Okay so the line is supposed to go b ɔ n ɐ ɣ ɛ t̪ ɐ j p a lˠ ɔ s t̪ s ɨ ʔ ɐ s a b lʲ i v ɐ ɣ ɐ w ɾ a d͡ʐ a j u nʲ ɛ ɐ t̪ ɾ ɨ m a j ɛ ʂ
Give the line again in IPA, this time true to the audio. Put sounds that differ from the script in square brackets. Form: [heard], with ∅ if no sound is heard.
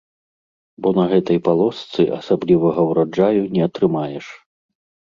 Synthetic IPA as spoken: b ɔ n ɐ ɣ ɛ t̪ ɐ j p a lˠ ɔ s t̪ s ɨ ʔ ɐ s a b lʲ i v ɐ ɣ ɐ w ɾ a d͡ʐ a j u nʲ ɛ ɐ t̪ ɾ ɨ m a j ɛ ʂ